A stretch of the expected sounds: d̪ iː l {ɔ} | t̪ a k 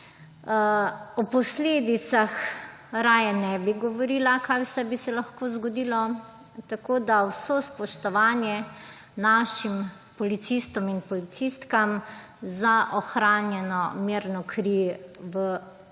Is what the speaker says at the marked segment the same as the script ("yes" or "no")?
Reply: yes